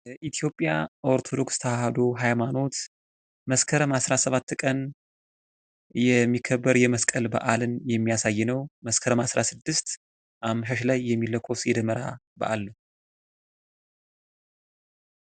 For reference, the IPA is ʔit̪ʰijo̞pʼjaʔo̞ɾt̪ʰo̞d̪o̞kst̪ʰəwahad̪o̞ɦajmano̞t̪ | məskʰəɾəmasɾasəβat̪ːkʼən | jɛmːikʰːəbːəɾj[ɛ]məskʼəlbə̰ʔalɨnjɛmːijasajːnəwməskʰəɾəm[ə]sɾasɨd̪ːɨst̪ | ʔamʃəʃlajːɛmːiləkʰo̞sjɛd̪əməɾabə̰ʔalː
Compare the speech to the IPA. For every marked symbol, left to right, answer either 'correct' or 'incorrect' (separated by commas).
correct, incorrect